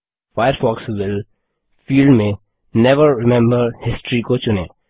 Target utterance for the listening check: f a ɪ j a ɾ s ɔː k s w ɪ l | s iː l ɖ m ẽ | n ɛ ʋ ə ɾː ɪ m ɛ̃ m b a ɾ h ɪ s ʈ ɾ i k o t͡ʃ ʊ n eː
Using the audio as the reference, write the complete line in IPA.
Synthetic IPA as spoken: f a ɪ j ə ɾ f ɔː k s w ɪ l | f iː l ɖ m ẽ | n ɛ ʋ ə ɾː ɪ m ɛ̃ m b ə ɾ h ɪ s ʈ ɾ i k o t͡ʃ ʊ n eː